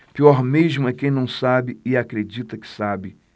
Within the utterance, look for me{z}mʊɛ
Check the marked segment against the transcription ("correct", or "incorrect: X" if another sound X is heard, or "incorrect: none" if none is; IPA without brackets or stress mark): incorrect: ʒ